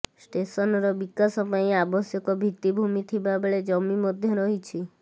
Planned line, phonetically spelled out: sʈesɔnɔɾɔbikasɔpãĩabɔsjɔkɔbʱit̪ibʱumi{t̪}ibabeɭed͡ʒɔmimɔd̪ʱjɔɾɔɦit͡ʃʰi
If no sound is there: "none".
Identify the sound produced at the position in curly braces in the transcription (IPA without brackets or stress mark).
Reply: t̪ʰ